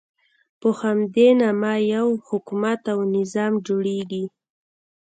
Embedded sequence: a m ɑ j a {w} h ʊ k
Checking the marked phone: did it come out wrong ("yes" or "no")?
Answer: no